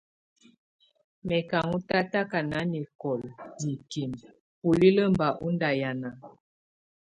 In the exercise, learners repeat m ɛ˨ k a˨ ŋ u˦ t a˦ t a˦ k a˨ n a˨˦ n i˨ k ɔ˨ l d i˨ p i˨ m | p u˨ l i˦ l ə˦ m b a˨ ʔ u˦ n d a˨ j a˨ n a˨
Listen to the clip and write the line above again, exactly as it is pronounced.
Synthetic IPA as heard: m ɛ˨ k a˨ ŋ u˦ t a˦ t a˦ k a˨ n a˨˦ n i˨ k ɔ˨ l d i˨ k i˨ m | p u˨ l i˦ l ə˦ m b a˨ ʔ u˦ n d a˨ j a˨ n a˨